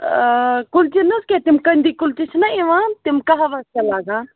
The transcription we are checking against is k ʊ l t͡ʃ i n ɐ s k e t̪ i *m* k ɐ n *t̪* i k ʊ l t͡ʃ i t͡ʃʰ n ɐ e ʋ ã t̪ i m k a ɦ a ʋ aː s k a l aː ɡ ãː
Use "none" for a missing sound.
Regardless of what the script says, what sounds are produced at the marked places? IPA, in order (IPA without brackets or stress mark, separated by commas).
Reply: m, d̪